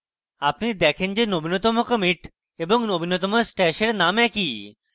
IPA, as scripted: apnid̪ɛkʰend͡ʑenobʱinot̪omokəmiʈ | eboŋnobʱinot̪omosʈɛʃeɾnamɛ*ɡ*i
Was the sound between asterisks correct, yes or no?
no